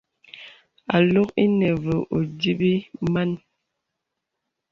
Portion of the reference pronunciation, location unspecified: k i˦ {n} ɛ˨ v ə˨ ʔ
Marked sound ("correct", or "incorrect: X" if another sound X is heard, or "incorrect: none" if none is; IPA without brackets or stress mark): correct